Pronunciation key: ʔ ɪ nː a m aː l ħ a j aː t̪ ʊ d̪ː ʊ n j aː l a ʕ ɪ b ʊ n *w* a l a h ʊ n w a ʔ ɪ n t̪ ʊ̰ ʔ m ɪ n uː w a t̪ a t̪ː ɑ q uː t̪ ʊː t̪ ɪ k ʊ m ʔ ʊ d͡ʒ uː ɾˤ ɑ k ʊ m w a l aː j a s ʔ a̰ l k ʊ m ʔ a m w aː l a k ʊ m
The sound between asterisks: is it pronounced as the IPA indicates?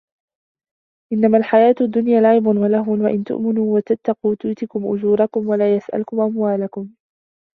yes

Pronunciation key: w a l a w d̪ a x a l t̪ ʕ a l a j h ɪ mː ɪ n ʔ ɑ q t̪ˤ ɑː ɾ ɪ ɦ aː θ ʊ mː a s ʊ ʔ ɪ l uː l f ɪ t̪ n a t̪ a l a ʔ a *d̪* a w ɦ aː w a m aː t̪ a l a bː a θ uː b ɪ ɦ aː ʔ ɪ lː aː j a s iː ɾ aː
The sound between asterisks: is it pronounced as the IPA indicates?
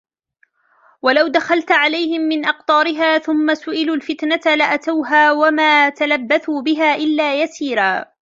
no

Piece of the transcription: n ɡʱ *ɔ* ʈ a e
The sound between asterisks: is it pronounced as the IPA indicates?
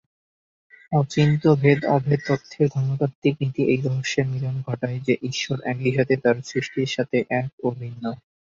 yes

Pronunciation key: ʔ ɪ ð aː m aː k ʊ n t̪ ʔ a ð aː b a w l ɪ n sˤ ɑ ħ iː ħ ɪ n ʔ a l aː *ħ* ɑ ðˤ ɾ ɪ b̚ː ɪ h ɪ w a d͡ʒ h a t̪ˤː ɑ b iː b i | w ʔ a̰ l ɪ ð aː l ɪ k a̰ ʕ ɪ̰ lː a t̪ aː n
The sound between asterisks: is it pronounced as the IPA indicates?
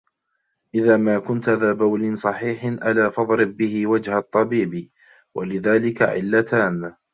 no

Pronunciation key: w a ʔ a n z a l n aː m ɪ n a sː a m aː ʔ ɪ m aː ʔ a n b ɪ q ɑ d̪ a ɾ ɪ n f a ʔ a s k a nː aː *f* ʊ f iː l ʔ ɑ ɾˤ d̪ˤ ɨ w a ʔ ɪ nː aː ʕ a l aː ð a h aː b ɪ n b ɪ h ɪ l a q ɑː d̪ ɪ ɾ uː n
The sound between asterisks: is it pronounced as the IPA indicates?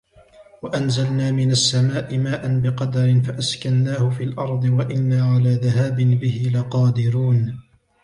no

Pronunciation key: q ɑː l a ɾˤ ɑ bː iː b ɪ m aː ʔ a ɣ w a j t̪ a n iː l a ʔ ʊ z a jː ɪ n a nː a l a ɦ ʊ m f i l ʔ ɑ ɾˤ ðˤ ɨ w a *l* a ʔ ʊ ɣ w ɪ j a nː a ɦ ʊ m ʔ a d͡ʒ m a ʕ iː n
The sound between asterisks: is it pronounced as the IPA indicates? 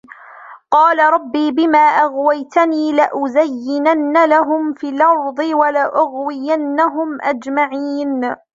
yes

